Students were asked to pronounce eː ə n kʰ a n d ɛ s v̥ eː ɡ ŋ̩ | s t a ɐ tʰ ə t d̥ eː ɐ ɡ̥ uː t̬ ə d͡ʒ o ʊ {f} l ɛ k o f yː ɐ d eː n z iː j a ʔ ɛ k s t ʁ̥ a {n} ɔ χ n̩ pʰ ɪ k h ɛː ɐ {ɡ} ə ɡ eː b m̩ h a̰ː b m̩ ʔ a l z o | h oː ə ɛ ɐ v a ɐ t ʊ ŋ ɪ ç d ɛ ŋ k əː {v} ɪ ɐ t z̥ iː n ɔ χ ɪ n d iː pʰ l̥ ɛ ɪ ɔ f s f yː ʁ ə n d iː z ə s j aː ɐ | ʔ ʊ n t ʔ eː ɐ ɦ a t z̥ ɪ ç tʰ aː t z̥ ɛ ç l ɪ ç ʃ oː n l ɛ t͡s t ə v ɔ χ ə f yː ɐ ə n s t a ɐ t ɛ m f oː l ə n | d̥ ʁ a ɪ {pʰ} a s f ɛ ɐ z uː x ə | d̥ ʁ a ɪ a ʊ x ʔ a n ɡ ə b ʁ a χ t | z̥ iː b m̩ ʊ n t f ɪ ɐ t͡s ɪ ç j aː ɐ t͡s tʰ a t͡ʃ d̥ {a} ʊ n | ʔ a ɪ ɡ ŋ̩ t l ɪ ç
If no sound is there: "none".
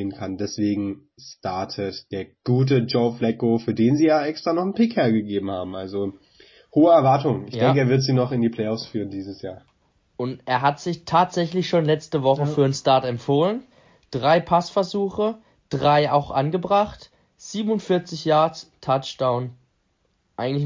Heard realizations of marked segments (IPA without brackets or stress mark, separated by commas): f, n, ɡ, v, pʰ, a